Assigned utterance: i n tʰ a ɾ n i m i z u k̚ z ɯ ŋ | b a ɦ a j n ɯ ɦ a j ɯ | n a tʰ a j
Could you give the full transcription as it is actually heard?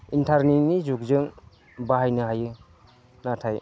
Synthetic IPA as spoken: i n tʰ a ɾ n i n i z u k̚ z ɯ ŋ | b a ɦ a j n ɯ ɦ a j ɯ | n a tʰ a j